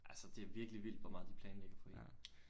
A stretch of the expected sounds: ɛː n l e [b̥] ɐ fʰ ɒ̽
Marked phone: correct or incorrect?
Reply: incorrect